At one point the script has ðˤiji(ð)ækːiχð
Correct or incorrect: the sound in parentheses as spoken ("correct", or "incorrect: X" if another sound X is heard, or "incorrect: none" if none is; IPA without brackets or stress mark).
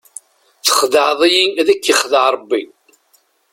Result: correct